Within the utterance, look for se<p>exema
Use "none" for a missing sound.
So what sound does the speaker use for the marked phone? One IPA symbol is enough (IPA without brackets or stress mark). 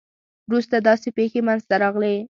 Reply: p